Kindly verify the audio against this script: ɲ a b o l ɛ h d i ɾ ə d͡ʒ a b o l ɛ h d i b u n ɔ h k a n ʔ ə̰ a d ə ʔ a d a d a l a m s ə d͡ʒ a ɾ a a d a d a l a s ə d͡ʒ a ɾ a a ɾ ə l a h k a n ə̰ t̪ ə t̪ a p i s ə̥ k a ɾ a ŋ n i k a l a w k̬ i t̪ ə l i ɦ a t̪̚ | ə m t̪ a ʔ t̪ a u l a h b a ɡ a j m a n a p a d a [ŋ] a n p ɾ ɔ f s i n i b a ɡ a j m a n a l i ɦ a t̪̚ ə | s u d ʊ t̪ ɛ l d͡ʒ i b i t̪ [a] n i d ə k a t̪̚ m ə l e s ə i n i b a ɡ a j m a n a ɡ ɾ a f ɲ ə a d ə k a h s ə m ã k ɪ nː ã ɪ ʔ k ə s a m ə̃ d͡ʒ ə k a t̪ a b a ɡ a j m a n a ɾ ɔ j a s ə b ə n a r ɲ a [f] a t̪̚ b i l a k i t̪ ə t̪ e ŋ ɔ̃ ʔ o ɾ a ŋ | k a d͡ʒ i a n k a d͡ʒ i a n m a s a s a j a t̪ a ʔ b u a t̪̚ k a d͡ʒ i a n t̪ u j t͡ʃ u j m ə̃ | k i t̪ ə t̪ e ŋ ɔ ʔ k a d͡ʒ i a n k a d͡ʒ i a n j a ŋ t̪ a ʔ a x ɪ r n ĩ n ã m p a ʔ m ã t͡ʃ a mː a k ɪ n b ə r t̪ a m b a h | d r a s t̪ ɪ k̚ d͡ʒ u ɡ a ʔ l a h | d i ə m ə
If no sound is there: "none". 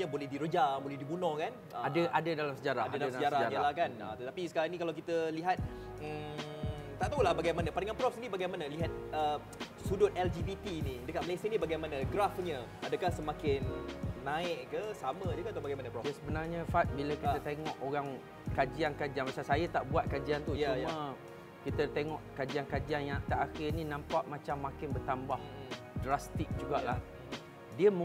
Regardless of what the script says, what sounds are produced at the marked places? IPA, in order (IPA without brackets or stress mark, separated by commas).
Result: ŋ, i, f